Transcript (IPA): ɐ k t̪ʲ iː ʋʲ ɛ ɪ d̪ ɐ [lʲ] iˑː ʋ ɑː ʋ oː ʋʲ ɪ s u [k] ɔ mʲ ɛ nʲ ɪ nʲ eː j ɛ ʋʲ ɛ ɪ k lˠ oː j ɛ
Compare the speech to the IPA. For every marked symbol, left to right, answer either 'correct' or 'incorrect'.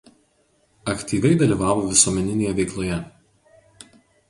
correct, incorrect: none

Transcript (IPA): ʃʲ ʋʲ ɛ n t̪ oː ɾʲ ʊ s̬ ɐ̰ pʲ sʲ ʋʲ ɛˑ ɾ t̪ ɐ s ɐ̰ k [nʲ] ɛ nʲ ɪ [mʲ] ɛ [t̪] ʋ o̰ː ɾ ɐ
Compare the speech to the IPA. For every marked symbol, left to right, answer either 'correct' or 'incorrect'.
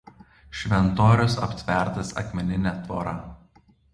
incorrect: mʲ, incorrect: nʲ, correct

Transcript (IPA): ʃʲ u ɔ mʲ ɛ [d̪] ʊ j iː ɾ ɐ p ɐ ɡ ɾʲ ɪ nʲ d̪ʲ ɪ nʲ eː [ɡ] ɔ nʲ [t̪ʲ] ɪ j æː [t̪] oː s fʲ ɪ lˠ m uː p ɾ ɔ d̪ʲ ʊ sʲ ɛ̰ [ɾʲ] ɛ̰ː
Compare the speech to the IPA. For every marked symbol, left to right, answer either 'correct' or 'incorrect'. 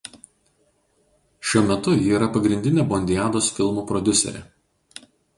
incorrect: t̪, incorrect: b, incorrect: d̪ʲ, incorrect: d̪, correct

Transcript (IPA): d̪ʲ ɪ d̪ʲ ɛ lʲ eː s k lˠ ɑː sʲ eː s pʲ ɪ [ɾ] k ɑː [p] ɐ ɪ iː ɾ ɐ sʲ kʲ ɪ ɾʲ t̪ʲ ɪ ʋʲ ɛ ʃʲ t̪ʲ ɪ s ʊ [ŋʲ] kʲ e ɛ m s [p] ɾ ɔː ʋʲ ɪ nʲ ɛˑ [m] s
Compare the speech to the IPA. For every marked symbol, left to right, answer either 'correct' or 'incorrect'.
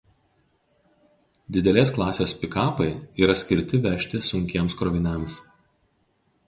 incorrect: none, correct, correct, incorrect: k, correct

